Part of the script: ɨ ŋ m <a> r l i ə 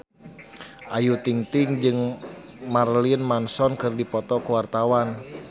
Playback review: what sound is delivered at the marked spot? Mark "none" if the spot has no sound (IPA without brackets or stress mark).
a